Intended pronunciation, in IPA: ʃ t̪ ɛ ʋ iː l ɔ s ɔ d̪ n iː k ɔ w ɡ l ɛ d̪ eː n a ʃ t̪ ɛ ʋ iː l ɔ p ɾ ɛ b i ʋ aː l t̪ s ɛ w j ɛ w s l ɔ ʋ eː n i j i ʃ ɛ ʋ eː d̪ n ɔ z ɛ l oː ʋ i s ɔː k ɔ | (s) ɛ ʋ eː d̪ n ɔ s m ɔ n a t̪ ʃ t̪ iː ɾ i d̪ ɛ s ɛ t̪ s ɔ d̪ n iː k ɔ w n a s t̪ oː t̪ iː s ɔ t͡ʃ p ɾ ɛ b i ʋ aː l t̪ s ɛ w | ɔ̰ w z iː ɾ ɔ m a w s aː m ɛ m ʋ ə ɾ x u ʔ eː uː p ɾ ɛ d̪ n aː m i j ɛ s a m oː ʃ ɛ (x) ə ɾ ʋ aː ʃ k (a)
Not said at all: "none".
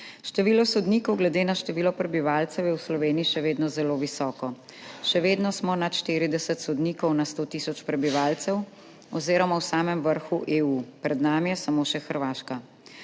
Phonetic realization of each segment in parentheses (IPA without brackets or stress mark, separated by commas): ʃ, x, a